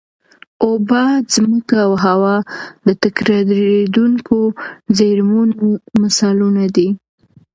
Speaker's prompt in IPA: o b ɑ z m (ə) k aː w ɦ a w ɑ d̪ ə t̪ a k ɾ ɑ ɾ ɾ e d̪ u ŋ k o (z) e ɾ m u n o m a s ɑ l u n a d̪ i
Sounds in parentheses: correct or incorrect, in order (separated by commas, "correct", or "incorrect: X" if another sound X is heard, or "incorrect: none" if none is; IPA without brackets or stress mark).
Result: correct, correct